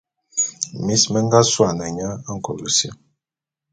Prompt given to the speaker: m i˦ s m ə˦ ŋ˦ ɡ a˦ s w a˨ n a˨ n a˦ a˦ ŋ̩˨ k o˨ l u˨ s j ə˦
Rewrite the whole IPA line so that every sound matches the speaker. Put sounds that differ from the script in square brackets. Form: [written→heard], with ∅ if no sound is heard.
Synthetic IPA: m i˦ s m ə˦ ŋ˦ ɡ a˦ s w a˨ n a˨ [n→ɲ] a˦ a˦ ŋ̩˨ k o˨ l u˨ s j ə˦

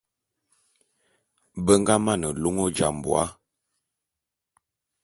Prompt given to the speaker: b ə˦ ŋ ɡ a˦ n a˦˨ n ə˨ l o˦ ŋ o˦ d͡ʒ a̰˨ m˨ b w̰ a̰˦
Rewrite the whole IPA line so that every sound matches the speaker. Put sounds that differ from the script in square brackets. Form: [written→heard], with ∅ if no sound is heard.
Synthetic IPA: b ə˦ ŋ ɡ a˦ [n→m] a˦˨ n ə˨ l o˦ ŋ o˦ d͡ʒ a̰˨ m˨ b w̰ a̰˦

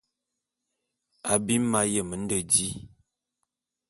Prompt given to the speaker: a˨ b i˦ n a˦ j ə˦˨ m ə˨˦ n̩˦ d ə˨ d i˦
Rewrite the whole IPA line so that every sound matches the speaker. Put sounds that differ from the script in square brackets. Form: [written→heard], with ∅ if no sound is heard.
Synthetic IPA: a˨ b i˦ [n→m] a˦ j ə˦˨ m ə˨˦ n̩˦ d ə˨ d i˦

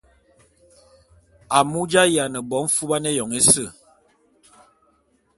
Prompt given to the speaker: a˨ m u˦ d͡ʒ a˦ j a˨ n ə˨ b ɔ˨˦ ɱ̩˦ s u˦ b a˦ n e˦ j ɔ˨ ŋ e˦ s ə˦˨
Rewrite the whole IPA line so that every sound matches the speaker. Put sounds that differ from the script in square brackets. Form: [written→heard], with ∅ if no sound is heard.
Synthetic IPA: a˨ m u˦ d͡ʒ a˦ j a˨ n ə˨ b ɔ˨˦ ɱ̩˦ [s→f] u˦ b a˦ n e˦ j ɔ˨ ŋ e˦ s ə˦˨

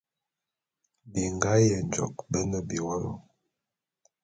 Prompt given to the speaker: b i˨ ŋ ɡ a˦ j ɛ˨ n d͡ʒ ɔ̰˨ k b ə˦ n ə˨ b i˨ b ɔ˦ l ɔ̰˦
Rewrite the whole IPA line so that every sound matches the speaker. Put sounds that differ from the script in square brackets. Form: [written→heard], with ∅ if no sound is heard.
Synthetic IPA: b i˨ ŋ ɡ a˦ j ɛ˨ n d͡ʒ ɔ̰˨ k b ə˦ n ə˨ b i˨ [b→w] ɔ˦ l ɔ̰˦

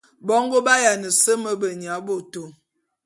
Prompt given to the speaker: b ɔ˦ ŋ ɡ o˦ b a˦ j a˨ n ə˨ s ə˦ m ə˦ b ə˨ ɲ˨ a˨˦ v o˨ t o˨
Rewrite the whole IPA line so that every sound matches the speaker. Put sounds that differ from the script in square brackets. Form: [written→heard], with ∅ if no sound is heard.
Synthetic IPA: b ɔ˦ ŋ ɡ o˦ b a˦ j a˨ n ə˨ s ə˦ m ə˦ b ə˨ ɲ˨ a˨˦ [v→b] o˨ t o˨

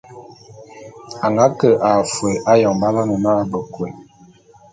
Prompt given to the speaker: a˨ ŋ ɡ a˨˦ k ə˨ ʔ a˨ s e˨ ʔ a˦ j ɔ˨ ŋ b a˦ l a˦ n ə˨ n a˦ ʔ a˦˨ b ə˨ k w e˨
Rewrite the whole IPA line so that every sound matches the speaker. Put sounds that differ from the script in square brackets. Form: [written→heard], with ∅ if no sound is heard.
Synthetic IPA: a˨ ŋ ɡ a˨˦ k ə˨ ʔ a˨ [s→f] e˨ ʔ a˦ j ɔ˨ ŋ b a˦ l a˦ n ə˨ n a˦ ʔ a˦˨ b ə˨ k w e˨

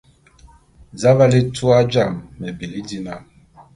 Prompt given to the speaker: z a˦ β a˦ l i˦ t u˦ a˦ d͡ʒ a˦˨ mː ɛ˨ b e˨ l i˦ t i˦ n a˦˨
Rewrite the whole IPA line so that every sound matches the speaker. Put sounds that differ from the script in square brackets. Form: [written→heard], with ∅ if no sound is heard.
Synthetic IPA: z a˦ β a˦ l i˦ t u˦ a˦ d͡ʒ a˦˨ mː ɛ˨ b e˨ l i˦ [t→d] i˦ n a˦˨

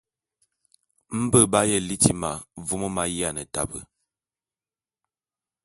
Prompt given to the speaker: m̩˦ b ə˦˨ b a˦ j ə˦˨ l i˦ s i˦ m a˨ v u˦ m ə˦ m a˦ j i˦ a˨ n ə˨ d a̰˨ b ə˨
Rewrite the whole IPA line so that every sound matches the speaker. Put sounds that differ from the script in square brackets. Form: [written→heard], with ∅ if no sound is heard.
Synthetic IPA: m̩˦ b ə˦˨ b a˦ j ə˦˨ l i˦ [s→t] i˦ m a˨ v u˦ m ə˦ m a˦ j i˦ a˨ n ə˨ [d→t] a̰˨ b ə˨

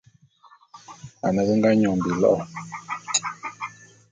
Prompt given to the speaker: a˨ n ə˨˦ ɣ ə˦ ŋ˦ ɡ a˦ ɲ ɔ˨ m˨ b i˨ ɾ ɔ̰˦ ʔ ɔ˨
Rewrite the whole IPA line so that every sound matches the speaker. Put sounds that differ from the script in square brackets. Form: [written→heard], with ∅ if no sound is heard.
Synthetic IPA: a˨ n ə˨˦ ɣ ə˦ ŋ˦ ɡ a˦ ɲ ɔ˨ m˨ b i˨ [ɾ→l] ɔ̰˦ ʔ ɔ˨

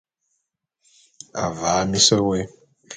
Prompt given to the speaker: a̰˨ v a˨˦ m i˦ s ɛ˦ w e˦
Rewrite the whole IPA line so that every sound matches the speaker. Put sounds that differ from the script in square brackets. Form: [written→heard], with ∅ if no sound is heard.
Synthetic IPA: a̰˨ v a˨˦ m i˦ s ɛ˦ w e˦

